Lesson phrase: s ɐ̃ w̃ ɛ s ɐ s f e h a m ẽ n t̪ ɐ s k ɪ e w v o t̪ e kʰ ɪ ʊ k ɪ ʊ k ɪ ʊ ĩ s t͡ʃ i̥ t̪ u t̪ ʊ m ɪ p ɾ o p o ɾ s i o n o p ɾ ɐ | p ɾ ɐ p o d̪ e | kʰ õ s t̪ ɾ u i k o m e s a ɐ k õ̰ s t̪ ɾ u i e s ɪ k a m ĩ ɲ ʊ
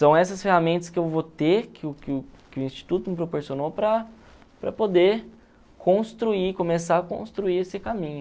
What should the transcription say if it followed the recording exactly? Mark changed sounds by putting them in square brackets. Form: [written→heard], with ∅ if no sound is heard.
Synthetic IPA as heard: s ɐ̃ w̃ ɛ s ɐ s f e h a m ẽ n t̪ ɐ s k ɪ e w v o t̪ e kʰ ɪ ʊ k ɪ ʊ k ɪ ʊ ĩ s t͡ʃ i̥ t̪ u t̪ ʊ m ɪ p ɾ o p o ɾ s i o n o p ɾ ɐ | p ɾ ɐ p o d̪ e | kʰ õ s t̪ ɾ u i k o m e s a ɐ k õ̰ s t̪ ɾ u i e s ɪ k a m ĩ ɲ ʊ